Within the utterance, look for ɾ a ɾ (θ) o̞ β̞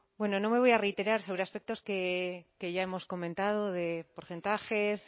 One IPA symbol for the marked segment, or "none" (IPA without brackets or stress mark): s